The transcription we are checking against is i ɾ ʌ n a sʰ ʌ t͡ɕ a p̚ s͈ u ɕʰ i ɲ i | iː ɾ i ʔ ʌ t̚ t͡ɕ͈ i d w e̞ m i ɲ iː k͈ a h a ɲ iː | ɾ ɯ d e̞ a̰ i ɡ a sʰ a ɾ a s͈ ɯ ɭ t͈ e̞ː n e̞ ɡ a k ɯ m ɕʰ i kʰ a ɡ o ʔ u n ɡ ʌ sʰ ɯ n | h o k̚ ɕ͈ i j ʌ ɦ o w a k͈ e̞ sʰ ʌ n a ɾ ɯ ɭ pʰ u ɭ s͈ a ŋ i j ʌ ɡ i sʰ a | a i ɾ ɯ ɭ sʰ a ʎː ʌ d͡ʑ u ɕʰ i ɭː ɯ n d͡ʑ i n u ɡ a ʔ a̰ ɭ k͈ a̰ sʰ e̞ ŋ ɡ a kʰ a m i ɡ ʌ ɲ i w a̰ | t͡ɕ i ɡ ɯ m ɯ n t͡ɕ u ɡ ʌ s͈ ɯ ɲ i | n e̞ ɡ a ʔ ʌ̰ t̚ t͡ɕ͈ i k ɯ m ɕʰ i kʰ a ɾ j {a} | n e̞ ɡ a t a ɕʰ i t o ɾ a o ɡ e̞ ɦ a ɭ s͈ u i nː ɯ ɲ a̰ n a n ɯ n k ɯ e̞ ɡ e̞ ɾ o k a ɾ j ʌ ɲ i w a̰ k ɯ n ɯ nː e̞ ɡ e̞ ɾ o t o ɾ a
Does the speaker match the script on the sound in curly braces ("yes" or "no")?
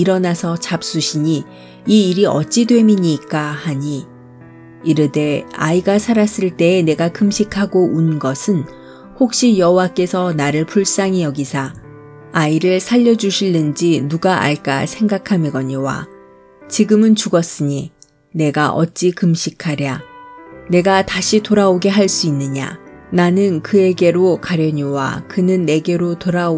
yes